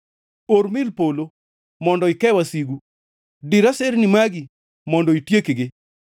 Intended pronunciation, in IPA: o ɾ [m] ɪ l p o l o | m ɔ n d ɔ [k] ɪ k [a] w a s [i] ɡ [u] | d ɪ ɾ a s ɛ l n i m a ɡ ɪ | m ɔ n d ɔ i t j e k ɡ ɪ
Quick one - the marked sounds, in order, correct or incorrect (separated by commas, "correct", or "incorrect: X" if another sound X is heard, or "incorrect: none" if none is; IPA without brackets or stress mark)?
correct, incorrect: none, incorrect: ɛ, correct, correct